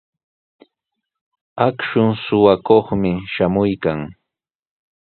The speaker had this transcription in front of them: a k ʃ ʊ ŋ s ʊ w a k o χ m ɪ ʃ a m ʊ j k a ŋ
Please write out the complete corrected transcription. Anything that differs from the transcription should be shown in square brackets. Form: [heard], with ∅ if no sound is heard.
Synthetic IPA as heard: a k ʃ ʊ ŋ s ʊ w a k o χ m ɪ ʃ a m ʊ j k a ŋ